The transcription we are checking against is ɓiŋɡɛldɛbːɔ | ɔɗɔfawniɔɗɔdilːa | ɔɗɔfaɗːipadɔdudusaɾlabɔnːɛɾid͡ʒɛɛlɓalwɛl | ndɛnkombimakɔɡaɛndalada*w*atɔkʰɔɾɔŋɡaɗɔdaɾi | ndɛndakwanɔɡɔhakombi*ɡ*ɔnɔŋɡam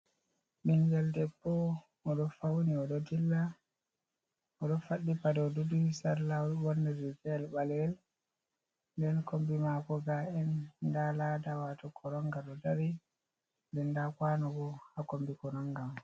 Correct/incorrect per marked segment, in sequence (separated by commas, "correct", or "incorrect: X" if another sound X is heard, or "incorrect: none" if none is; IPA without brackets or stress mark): correct, incorrect: k